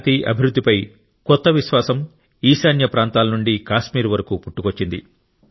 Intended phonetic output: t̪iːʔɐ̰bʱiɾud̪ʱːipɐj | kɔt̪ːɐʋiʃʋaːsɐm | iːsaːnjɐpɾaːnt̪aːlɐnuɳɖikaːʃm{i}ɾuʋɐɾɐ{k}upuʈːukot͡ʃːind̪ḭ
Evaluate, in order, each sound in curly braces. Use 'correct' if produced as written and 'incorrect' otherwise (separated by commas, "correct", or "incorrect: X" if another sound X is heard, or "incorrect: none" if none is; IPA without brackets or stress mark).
incorrect: iː, correct